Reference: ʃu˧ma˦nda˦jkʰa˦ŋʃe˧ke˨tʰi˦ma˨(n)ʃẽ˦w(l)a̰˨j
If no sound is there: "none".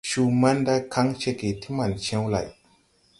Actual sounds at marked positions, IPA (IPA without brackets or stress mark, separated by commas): n, l